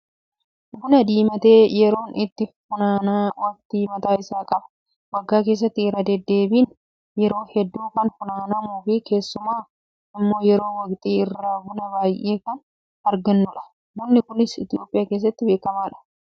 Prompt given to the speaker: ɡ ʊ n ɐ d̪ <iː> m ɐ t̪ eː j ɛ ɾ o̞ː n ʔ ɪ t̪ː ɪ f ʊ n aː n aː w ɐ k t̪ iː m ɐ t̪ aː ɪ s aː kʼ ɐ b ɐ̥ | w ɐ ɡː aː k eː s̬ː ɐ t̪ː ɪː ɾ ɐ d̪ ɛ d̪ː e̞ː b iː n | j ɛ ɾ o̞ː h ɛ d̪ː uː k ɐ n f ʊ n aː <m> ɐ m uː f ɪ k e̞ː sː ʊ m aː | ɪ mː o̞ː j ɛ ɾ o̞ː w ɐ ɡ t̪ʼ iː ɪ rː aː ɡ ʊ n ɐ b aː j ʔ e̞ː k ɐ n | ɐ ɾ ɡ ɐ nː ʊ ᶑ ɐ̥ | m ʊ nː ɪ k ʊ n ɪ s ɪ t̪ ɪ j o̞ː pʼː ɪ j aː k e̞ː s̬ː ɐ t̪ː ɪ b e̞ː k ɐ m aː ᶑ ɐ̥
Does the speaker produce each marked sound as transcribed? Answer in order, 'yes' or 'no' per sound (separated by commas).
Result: yes, no